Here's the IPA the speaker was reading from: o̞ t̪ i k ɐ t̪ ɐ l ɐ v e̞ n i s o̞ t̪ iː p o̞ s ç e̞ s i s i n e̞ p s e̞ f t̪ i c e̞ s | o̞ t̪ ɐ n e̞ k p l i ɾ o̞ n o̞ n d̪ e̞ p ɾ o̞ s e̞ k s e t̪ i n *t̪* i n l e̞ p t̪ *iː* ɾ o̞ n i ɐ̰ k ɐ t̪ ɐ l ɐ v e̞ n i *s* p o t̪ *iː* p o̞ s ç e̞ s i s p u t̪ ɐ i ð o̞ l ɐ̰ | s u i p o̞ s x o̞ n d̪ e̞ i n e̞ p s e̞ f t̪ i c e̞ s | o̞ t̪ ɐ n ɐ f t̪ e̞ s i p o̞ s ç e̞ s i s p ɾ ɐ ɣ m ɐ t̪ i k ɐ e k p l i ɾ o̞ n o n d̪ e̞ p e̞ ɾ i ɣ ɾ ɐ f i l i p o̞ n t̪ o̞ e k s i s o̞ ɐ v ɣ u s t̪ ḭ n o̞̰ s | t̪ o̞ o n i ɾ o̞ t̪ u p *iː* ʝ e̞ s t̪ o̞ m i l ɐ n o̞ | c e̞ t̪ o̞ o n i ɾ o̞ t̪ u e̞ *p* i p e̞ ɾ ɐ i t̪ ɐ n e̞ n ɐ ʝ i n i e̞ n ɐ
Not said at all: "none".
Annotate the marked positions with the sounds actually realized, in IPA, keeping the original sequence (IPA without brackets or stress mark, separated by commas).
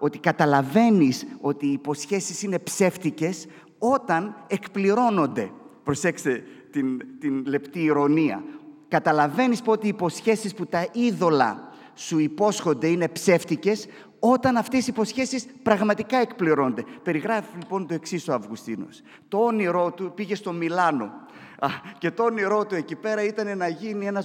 t̪, iː, s, iː, i, c